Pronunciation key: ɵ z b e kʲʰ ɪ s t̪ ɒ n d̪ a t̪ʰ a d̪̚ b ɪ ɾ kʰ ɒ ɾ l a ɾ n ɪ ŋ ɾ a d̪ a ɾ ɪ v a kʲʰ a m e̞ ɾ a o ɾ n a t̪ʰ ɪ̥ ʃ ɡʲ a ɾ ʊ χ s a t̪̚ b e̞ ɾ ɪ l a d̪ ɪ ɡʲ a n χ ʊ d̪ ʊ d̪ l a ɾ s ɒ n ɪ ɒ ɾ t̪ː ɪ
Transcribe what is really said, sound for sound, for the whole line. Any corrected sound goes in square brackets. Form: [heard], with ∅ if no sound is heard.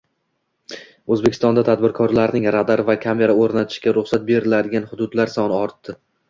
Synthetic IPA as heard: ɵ z b e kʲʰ ɪ s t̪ ɒ n d̪ a t̪ʰ a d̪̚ b ɪ ɾ kʰ ɒ ɾ l a ɾ n ɪ ŋ ɾ a d̪ a ɾ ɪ v a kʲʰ a m e̞ ɾ a o ɾ n a t̪ʰ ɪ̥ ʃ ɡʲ a ɾ ʊ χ s a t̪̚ b e̞ ɾ ɪ l a d̪ ɪ ɡʲ a n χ ʊ d̪ ʊ d̪ l a ɾ s ɒ n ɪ ɒ ɾ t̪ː ɪ